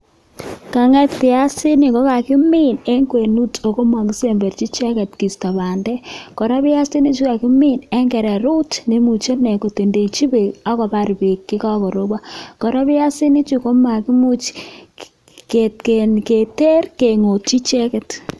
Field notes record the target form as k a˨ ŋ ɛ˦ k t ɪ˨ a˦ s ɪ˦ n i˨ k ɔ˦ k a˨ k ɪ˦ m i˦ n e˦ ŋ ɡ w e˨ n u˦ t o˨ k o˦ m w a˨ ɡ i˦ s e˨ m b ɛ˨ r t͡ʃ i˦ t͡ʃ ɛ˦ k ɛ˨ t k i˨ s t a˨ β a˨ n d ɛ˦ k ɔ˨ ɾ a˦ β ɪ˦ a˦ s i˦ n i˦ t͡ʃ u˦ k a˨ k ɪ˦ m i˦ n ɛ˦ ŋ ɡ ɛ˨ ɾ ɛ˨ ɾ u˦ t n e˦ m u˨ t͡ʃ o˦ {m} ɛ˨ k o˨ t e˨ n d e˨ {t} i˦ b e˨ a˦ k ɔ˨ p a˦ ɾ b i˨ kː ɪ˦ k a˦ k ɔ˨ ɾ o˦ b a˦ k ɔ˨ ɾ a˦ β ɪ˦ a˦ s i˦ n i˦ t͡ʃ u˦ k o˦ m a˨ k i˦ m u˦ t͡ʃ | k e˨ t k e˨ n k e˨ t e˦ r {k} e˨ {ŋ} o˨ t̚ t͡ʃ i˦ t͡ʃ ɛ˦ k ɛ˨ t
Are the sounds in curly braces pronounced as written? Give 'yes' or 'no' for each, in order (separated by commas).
no, no, yes, yes